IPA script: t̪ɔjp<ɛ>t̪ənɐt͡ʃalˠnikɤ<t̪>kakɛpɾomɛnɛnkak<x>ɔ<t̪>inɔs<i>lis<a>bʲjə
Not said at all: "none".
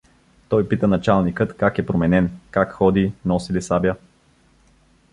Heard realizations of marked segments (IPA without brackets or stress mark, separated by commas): i, t̪, x, d̪, i, a